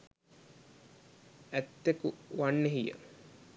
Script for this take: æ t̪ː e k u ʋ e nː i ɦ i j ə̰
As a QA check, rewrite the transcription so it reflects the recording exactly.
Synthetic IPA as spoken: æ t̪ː e k u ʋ a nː e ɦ i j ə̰

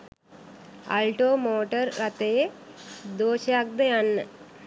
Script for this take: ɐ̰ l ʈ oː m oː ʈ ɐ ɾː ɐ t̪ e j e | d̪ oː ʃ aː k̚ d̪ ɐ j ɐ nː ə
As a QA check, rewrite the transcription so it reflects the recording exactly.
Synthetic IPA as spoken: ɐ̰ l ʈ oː m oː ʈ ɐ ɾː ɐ t̪ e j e | d̪ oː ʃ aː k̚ d̪ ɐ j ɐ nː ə

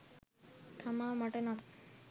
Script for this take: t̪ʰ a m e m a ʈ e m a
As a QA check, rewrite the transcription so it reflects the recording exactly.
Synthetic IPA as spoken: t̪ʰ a m a m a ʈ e n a

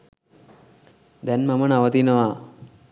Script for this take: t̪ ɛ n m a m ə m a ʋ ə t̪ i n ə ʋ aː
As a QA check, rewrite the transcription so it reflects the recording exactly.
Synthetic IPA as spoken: d̪ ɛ n m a m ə n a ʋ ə t̪ i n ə ʋ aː

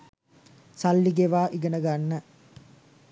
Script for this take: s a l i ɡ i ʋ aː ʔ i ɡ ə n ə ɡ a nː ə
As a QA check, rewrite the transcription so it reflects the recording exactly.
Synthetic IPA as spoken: s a lː i ɡ e ʋ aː ʔ i ɡ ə n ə ɡ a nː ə

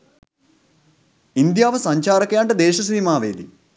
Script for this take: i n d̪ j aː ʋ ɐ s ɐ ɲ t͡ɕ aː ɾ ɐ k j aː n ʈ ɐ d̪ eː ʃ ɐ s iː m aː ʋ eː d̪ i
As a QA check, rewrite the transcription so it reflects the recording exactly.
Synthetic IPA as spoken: i n d̪ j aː ʋ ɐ s ɐ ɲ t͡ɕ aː ɾ ɐ k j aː ɳ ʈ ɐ d̪ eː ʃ ɐ s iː m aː ʋ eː d̪ i

